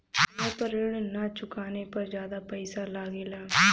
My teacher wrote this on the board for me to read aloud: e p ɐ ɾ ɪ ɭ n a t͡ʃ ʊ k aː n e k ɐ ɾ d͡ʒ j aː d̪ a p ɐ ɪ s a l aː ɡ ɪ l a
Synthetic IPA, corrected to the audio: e p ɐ ɾ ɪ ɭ n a t͡ʃ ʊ k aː n e p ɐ ɾ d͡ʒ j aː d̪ a p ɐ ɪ s a l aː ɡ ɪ l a